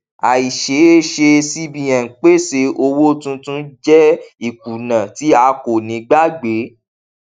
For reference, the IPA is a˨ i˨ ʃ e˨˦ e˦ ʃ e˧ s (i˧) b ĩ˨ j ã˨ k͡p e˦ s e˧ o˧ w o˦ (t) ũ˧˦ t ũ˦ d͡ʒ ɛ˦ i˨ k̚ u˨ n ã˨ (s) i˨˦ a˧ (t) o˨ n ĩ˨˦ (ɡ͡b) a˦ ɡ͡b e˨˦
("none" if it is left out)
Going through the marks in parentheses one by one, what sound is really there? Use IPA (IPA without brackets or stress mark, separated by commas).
i˧, t, t, k, ɡ͡b